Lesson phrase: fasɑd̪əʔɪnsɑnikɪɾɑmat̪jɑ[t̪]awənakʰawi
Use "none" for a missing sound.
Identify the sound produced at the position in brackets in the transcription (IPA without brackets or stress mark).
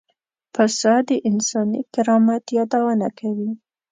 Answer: d̪